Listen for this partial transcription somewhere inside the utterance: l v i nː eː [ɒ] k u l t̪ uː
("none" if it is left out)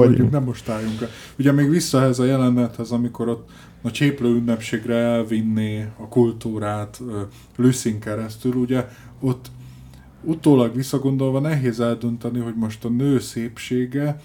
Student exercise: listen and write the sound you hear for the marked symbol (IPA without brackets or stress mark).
ɒ